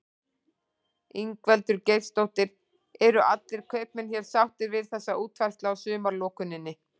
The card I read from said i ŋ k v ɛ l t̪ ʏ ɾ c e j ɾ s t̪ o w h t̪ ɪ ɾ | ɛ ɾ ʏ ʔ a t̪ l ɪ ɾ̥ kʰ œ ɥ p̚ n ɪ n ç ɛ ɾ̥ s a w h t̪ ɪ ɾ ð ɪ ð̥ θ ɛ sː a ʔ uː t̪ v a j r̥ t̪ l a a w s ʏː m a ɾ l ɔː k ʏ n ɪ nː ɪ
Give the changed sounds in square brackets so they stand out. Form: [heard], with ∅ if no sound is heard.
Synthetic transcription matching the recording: i ŋ k v ɛ l t̪ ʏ ɾ c e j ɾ s t̪ o w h t̪ ɪ ɾ | ɛ ɾ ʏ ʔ a t̪ l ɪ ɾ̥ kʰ œ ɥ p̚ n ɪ n ç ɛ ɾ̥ s a w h t̪ ɪ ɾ [v] ɪ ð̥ θ ɛ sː a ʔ uː t̪ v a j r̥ t̪ l a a w s ʏː m a ɾ l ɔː k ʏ n ɪ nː ɪ